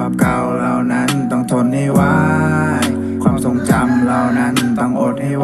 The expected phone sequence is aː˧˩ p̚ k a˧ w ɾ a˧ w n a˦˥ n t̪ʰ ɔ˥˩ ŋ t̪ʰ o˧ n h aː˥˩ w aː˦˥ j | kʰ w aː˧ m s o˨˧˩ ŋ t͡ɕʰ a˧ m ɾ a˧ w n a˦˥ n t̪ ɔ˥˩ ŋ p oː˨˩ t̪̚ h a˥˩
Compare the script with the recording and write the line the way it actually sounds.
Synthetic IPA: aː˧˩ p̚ k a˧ w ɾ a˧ w n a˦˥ n t̪ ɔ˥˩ ŋ t̪ʰ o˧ n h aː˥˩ w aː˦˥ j | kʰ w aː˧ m s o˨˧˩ ŋ t͡ɕ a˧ m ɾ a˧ w n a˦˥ n t̪ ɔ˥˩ ŋ ʔ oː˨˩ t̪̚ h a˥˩

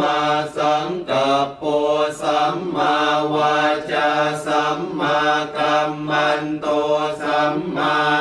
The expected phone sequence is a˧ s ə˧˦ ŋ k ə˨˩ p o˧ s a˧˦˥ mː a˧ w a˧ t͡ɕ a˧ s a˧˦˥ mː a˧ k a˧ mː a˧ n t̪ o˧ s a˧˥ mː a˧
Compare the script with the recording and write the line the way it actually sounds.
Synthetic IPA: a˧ s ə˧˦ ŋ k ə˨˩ p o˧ s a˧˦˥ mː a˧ w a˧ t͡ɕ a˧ s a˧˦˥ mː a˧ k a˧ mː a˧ n t̪ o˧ s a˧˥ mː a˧

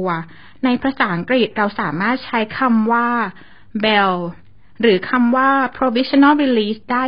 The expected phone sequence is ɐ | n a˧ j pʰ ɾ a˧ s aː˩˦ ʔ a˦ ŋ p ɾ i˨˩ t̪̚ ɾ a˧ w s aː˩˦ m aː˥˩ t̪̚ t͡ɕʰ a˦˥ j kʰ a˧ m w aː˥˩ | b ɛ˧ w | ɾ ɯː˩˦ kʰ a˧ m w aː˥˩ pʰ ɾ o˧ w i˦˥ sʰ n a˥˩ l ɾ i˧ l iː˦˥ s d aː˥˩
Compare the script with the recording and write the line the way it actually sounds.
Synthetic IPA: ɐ | n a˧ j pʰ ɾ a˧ s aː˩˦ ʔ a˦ ŋ k ɾ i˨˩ t̪̚ ɾ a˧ w s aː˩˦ m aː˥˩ t̪̚ t͡ɕʰ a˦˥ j kʰ a˧ m w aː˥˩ | b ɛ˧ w | ɾ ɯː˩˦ kʰ a˧ m w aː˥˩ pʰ ɾ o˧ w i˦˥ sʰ n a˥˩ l ɾ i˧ l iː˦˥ s d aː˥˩

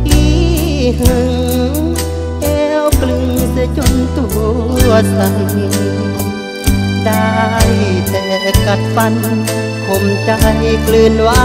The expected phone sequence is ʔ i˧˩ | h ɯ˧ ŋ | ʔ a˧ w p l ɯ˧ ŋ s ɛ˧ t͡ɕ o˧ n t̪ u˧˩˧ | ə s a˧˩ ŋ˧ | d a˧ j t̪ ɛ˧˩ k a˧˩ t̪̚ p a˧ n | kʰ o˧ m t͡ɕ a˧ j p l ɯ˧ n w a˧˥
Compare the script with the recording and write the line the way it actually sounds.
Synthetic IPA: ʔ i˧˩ | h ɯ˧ ŋ | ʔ ɛ˧ w k l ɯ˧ ŋ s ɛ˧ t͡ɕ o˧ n t̪ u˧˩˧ | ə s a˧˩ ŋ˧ | d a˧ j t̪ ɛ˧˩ k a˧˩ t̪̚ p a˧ n | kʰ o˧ m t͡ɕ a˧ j k l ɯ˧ n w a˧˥

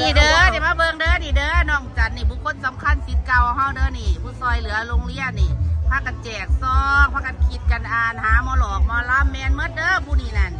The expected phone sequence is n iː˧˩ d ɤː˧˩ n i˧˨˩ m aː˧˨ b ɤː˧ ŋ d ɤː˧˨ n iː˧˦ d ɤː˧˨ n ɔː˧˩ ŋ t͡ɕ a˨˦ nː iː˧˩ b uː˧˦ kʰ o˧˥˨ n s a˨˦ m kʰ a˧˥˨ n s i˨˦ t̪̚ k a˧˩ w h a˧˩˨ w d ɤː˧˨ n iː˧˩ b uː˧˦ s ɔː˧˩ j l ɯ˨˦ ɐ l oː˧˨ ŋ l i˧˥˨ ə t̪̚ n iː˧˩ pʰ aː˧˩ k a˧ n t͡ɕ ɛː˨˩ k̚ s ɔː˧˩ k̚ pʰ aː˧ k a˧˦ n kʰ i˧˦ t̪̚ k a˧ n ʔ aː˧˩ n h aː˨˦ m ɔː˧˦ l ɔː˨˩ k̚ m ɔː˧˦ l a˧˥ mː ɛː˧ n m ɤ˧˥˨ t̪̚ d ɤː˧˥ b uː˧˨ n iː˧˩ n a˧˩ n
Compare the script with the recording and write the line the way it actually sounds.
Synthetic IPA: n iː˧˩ d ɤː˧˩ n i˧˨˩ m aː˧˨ b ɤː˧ ŋ d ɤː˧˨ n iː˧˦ d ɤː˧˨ n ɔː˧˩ ŋ t͡ɕ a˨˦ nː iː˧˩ b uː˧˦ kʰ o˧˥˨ n s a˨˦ m kʰ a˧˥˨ n s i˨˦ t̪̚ k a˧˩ w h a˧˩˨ w d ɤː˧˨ n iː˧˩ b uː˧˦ s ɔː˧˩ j l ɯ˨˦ ɐ l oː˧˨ ŋ l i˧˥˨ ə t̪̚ n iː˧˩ pʰ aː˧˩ k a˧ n t͡ɕ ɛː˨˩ k̚ s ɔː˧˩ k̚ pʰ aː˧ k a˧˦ n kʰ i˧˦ t̪̚ k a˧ n ʔ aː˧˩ n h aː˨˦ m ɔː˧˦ l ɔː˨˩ k̚ m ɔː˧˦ l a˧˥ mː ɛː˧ n m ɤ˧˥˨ t̪̚ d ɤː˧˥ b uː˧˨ n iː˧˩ n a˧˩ n

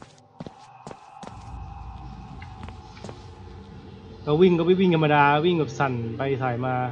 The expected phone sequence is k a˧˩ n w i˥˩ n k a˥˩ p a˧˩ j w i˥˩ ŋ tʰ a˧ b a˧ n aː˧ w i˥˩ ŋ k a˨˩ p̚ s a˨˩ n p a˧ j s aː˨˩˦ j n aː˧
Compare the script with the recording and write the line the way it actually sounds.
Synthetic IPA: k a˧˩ w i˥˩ ŋ k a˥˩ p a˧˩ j w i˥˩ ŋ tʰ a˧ m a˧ d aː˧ w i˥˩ ŋ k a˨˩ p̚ s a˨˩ n p a˧ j s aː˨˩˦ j m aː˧

